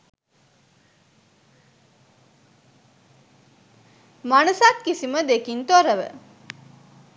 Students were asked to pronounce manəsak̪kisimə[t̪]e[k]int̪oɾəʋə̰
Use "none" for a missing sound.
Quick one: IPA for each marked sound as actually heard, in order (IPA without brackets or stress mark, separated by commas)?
d̪, k